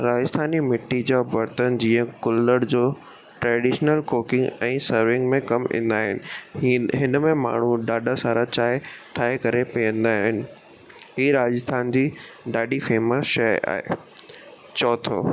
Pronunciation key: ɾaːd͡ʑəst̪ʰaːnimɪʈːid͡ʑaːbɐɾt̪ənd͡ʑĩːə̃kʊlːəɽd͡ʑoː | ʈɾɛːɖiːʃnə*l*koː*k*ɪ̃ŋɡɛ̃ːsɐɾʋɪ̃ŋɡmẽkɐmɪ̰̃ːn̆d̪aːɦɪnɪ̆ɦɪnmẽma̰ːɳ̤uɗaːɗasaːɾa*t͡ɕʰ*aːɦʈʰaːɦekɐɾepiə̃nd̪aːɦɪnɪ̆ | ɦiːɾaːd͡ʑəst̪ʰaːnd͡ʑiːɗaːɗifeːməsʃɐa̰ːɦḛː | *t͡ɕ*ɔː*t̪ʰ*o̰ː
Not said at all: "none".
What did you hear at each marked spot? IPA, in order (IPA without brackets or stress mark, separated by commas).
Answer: l, k, t͡ɕ, t͡ɕ, t̪ʰ